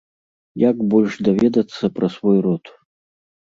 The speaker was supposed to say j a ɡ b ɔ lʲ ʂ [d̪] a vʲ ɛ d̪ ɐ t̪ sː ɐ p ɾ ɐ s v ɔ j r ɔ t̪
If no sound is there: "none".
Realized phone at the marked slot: d̪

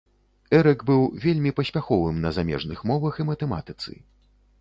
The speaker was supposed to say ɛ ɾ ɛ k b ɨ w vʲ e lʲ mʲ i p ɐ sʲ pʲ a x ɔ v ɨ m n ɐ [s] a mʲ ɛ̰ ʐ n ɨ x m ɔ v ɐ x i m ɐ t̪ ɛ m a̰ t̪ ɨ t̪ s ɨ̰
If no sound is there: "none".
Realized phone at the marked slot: z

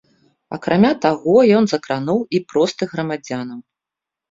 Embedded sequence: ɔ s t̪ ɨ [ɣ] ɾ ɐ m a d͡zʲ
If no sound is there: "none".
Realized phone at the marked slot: ɣ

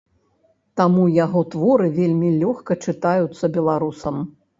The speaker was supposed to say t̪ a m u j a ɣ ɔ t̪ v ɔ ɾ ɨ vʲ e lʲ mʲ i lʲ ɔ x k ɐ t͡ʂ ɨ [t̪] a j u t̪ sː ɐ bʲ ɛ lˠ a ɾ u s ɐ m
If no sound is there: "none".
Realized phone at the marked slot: t̪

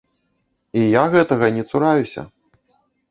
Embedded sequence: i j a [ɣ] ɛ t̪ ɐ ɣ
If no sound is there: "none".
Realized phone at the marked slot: ɣ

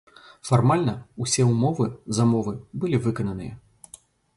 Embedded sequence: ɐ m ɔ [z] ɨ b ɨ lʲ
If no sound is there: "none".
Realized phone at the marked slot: v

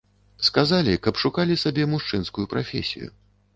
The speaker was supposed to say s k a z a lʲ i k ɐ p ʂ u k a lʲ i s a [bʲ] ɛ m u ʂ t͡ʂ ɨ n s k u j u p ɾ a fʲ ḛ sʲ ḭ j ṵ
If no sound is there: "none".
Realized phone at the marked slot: bʲ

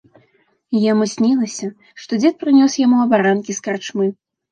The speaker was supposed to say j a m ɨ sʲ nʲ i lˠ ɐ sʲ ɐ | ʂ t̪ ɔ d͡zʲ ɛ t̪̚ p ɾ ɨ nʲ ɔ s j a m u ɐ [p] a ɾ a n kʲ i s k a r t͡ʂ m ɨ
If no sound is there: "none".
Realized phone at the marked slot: b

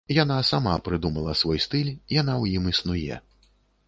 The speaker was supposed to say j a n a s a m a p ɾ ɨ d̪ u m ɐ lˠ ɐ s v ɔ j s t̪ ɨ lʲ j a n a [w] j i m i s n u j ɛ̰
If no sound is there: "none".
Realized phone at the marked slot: w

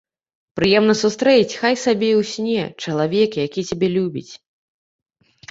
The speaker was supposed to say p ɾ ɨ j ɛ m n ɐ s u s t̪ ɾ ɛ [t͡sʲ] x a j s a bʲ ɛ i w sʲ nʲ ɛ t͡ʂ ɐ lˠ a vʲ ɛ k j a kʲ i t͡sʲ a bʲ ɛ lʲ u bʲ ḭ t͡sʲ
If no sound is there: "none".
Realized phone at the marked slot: t͡sʲ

